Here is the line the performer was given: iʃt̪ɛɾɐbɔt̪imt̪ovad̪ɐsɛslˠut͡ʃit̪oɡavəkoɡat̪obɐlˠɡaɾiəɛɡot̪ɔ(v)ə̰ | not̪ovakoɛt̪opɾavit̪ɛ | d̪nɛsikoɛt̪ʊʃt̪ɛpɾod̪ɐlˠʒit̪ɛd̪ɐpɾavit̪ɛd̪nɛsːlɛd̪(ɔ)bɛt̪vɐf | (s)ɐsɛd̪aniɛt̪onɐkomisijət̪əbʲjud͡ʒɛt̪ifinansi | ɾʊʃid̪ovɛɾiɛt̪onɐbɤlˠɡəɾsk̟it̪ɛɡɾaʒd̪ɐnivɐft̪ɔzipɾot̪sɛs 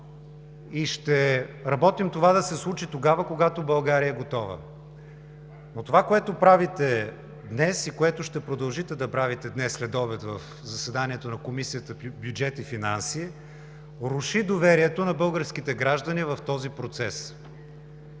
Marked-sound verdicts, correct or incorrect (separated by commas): correct, correct, incorrect